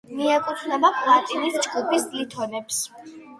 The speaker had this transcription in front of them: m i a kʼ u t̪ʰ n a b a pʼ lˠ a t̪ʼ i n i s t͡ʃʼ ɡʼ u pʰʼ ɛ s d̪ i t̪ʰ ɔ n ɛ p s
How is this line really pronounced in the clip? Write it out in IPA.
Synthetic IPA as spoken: m i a kʼ u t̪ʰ n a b a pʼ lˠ a t̪ʼ i n i s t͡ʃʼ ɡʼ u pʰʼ i s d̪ i t̪ʰ ɔ n ɛ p s

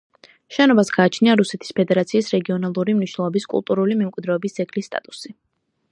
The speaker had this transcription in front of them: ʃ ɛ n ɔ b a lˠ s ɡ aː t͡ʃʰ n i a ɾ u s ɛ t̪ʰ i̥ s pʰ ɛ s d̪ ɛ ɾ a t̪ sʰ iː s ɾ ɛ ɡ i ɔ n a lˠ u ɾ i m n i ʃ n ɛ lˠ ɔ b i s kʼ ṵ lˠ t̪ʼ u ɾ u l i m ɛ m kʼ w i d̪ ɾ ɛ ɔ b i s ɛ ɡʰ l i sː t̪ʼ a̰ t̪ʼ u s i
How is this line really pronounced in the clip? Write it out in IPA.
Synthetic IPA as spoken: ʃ ɛ n ɔ b a s ɡ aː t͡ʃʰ n i a ɾ u s ɛ t̪ʰ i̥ s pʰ ɛ d̪ ɛ ɾ a t̪ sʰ iː s ɾ ɛ ɡ i ɔ n a lˠ u ɾ i m n i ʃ n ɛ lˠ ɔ b i s kʼ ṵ lˠ t̪ʼ u ɾ u l i m ɛ m kʼ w i d̪ ɾ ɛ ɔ b i s ɛ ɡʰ l i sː t̪ʼ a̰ t̪ʼ u s i

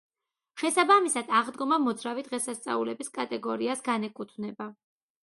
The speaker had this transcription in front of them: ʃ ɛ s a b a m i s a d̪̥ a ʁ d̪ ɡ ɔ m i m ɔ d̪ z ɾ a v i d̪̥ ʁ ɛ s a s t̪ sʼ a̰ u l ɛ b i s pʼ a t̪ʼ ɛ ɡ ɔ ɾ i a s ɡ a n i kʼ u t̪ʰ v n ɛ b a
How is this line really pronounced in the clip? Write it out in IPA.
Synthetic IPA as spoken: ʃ ɛ s a b a m i s a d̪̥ a ʁ d̪ ɡ ɔ m a m ɔ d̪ z ɾ a v i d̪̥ ʁ ɛ s a s t̪ sʼ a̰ u l ɛ b i s kʼ a t̪ʼ ɛ ɡ ɔ ɾ i a s ɡ a n ɛ kʼ u t̪ʰ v n ɛ b a

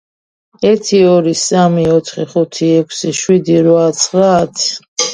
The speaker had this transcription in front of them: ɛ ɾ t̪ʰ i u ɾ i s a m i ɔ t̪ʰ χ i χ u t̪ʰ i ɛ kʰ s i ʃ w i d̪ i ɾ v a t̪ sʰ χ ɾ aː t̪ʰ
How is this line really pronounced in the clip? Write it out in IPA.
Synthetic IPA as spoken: ɛ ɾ t̪ʰ i ɔ ɾ i s a m i ɔ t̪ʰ χ i χ u t̪ʰ i ɛ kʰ s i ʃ w i d̪ i ɾ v a t̪ sʰ χ ɾ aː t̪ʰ

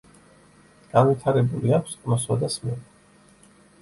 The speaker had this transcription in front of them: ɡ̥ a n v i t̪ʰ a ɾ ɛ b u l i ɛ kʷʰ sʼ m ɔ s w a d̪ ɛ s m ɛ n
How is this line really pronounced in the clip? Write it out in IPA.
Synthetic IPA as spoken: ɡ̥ a n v i t̪ʰ a ɾ ɛ b u l i a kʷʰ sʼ m ɔ s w a d̪ a s m ɛ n

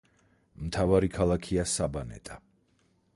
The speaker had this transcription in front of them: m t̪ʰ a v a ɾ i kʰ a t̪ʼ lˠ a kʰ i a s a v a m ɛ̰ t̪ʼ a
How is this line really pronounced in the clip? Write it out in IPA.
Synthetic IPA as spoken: m t̪ʰ a v a ɾ i kʰ a lˠ a kʰ i a s a b a n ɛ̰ t̪ʼ a

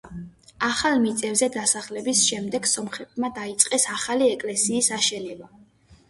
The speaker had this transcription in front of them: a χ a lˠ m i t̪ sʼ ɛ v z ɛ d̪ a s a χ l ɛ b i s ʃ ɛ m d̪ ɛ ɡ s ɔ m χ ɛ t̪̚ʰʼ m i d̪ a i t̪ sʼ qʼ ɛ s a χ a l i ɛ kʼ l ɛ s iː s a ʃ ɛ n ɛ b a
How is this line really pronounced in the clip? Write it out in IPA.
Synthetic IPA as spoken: a χ a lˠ m i t̪ sʼ ɛ v z ɛ d̪ a s a χ l ɛ b i s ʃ ɛ m d̪ ɛ ɡ s ɔ m χ ɛ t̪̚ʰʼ m a d̪ a i t̪ sʼ qʼ ɛ s a χ a l i ɛ kʼ l ɛ s iː s a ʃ ɛ n ɛ b a

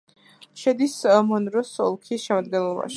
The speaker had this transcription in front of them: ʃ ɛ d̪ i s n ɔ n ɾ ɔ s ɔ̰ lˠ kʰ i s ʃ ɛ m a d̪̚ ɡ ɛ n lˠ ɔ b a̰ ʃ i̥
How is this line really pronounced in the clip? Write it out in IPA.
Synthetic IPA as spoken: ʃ ɛ d̪ i s m ɔ n ɾ ɔ s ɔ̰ lˠ kʰ i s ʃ ɛ m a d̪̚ ɡ ɛ n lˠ ɔ b a̰ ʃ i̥

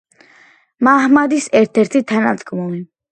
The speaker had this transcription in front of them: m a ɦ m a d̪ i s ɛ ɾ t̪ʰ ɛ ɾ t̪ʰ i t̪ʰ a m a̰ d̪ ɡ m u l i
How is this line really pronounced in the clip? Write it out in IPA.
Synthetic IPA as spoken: m a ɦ m a d̪ i s ɛ ɾ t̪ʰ ɛ ɾ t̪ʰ i t̪ʰ a n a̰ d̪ ɡ m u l i

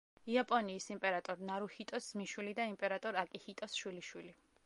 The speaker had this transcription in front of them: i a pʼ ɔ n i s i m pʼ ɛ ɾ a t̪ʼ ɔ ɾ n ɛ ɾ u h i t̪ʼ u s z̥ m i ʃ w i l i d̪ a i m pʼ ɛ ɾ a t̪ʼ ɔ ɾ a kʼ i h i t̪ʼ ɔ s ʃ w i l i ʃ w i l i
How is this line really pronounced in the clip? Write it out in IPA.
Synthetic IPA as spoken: i a pʼ ɔ n iː s i m pʼ ɛ ɾ a t̪ʼ ɔ ɾ n a ɾ u h i t̪ʼ ɔ s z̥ m i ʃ w i l i d̪ a i m pʼ ɛ ɾ a t̪ʼ ɔ ɾ a kʼ i h i t̪ʼ ɔ s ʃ w i l i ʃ w i l i

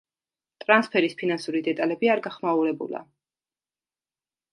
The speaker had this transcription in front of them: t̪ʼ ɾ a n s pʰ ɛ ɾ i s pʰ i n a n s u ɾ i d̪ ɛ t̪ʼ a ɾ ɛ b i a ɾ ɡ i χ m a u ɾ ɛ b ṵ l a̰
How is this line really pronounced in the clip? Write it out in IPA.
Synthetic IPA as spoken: t̪ʼ ɾ a n s pʰ ɛ ɾ i s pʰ i n a n s u ɾ i d̪ ɛ t̪ʼ a l ɛ b i a ɾ ɡ a χ m a u ɾ ɛ b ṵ l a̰

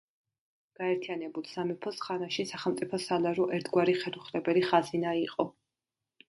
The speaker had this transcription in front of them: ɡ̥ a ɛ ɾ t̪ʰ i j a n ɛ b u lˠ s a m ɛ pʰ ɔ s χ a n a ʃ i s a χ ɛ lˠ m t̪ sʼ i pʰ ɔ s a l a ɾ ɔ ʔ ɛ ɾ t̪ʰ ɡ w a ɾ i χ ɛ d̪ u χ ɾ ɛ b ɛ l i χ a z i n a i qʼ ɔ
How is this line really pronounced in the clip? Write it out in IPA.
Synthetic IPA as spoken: ɡ̥ a ɛ ɾ t̪ʰ i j a n ɛ b u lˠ s a m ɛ pʰ ɔ s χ a n a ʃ i s a χ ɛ lˠ m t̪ sʼ i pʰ ɔ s a l a ɾ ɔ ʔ ɛ ɾ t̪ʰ ɡ w a ɾ i χ ɛ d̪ u χ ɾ ɛ b ɛ l i χ a z i n a i qʼ ɔ

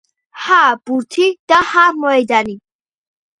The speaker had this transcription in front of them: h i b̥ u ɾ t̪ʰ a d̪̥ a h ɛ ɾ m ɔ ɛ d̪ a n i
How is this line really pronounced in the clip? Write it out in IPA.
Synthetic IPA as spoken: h a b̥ u ɾ t̪ʰ i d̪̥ a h a ɾ m ɔ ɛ d̪ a n i

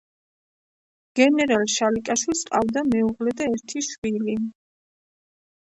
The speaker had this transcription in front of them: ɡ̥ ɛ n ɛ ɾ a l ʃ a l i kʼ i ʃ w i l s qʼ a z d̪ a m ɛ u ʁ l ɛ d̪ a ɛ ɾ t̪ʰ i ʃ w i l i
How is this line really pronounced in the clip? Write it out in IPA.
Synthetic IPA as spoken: ɡ̥ ɛ n ɛ ɾ a l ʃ a l i kʼ a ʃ w i l s qʼ a v d̪ a m ɛ u ʁ l ɛ d̪ a ɛ ɾ t̪ʰ i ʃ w i l i

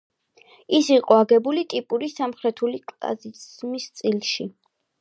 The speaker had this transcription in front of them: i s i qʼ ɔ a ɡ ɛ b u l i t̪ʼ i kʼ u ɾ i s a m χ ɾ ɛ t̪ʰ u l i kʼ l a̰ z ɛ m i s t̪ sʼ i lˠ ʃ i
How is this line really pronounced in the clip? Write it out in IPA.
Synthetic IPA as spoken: i s i qʼ ɔ a ɡ ɛ b u l i t̪ʼ i pʼ u ɾ i s a m χ ɾ ɛ t̪ʰ u l i kʼ l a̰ z i m i s t̪ sʼ i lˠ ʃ i

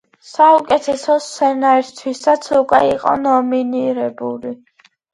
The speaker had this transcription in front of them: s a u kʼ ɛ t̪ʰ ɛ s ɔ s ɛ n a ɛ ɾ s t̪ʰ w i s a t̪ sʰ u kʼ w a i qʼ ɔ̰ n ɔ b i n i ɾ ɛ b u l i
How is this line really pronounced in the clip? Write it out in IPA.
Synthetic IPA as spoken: s a u kʼ ɛ t̪ʰ ɛ s ɔ s ɛ n a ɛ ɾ s t̪ʰ w i s a t̪ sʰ u kʼ w ɛ i qʼ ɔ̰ n ɔ m i n i ɾ ɛ b u l i

